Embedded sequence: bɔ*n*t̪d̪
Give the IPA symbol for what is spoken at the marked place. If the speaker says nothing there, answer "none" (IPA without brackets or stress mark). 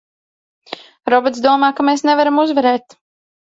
none